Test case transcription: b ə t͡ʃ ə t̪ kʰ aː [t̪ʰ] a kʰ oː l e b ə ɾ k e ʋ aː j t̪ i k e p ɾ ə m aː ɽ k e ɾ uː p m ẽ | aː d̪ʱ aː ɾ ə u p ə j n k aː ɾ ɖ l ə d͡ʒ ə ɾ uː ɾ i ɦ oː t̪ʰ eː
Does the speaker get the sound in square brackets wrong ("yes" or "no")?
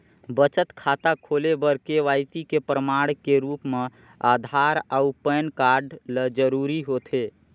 yes